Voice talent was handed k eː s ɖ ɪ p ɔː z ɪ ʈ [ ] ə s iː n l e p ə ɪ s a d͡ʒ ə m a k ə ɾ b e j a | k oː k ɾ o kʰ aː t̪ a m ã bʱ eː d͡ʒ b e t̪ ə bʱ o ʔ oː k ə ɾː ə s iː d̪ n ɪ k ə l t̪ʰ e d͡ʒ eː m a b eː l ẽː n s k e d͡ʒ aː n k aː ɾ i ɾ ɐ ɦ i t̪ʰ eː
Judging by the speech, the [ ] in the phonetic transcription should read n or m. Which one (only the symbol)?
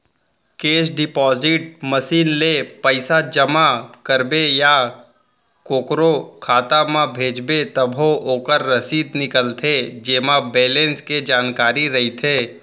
m